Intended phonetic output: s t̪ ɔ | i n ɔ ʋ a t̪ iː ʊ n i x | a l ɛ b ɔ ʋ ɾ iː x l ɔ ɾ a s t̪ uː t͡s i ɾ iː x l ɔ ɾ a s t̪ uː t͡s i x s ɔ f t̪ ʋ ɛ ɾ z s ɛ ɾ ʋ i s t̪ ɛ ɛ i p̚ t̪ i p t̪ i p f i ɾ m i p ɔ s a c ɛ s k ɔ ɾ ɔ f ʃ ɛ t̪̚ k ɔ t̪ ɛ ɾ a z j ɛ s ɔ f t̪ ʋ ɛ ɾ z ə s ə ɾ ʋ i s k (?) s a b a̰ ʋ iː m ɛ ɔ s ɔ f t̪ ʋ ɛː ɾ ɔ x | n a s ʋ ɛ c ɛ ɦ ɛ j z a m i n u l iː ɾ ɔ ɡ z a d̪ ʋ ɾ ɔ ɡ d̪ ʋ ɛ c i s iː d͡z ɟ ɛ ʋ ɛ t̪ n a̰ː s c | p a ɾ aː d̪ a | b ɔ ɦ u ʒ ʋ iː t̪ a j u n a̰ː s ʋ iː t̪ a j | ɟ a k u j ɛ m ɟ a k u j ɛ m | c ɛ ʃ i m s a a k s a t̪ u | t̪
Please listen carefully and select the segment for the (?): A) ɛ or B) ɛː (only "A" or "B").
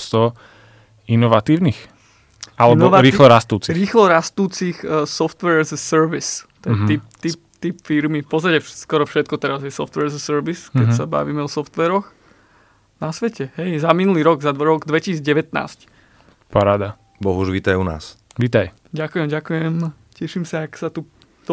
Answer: A